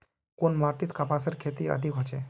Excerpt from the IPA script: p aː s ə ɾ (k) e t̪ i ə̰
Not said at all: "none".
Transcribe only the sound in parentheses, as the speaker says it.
kʰ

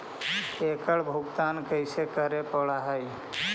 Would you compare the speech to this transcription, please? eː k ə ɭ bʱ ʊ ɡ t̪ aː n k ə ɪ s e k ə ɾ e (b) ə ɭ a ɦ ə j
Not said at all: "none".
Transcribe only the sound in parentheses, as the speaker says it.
p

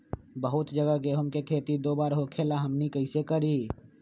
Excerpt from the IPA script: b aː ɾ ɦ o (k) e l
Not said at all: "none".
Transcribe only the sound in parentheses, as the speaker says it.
kʰ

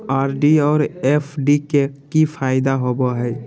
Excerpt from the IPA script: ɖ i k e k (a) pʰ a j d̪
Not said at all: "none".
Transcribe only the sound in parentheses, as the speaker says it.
i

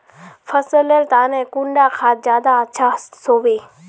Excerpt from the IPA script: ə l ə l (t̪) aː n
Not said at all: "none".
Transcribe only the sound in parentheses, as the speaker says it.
t̪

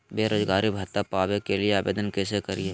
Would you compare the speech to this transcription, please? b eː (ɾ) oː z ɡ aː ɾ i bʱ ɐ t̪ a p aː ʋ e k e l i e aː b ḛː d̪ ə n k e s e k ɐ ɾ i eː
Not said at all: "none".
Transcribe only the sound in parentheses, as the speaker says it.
ɾ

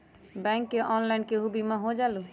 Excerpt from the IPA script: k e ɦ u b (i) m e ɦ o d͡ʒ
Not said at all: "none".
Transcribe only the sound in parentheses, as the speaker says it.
i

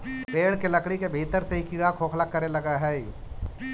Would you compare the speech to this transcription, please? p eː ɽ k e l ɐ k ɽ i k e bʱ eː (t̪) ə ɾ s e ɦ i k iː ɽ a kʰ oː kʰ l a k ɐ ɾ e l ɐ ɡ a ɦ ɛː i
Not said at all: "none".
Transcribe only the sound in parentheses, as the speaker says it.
t̪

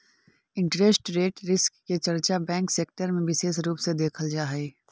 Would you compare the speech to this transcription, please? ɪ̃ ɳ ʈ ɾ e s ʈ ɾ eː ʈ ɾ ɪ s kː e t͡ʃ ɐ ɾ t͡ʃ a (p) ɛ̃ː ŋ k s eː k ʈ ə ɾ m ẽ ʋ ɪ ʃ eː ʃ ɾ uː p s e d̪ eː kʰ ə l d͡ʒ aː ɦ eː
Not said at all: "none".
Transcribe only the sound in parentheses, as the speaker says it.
b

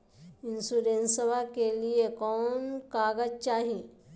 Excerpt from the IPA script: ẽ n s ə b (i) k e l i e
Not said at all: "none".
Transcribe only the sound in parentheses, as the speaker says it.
a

